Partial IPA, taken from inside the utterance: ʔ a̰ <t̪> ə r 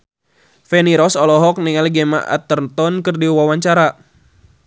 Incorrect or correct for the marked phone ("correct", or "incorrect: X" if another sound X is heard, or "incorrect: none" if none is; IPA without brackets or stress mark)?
correct